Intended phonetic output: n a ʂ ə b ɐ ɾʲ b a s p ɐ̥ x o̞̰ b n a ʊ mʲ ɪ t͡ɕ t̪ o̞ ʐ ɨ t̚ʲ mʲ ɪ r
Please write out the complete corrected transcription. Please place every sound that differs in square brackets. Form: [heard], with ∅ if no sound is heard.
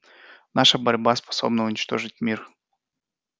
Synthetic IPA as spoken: n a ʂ ə b ɐ ɾʲ b a s p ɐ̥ [s] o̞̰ b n [ə] ʊ [nʲ] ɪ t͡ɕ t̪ o̞ ʐ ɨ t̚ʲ mʲ [i] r